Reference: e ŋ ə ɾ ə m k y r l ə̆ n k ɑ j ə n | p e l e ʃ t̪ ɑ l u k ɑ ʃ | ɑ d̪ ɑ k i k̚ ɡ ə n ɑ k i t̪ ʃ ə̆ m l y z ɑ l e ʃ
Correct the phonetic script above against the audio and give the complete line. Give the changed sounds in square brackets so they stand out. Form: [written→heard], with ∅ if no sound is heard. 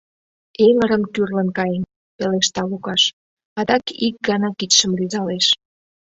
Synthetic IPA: e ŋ ə ɾ ə m k y r l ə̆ n k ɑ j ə n | p e l e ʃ t̪ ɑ l u k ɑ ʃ | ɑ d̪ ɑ k i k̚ ɡ [ə→ɑ] n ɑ k i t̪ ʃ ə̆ m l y z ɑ l e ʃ